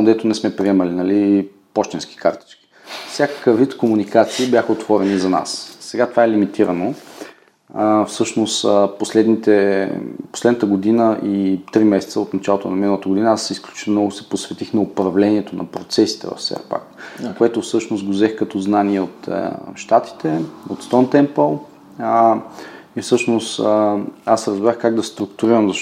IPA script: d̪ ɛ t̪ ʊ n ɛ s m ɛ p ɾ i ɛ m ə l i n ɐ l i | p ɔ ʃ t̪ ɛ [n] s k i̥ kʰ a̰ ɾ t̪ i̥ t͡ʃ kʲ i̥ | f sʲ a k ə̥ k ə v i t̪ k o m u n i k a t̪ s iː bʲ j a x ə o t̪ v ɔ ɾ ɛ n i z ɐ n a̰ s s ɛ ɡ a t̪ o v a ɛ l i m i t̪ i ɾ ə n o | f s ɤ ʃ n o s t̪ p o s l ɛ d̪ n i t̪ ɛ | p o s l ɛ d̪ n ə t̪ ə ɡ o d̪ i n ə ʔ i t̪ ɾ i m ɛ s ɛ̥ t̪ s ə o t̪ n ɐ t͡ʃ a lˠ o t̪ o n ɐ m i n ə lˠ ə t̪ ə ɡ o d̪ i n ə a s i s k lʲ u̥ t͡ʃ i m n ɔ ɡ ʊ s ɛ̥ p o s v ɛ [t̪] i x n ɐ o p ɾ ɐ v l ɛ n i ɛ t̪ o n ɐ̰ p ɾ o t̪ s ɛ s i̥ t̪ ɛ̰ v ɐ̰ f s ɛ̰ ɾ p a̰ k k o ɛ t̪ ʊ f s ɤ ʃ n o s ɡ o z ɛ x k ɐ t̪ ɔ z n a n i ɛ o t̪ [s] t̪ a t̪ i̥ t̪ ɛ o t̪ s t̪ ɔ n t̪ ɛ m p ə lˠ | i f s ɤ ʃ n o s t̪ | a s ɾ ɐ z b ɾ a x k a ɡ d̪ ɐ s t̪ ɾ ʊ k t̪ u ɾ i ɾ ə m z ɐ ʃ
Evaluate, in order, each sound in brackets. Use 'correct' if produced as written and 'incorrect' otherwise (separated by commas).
correct, correct, incorrect